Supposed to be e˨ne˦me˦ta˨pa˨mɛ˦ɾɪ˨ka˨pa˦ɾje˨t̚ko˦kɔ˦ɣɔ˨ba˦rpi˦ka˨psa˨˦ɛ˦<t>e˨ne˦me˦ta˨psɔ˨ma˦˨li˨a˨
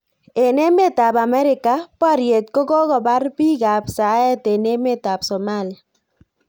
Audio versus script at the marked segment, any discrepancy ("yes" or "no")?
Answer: no